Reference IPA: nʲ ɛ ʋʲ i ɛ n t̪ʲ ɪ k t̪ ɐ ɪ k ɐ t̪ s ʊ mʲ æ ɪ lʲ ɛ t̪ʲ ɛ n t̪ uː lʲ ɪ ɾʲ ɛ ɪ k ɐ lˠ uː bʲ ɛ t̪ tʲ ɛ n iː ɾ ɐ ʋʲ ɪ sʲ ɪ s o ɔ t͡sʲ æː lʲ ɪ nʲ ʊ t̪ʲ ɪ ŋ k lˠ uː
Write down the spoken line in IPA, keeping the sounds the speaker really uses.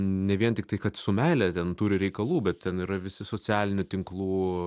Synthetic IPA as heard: nʲ ɛ ʋʲ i ɛ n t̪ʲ ɪ k t̪ ɐ ɪ k ɐ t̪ s ʊ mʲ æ ɪ lʲ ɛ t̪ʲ ɛ n t̪ uː ɾʲ ɪ ɾʲ ɛ ɪ k ɐ lˠ uː bʲ ɛ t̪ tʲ ɛ n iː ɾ ɐ ʋʲ ɪ sʲ ɪ s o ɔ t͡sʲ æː lʲ ɪ nʲ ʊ t̪ʲ ɪ ŋ k lˠ uː